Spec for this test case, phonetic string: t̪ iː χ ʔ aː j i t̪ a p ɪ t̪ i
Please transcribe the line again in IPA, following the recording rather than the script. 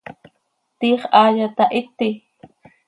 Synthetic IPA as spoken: t̪ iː χ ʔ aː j a t̪ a ʔ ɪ t̪ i